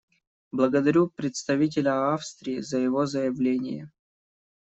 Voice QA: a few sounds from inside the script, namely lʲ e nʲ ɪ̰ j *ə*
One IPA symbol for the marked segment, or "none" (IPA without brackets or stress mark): ə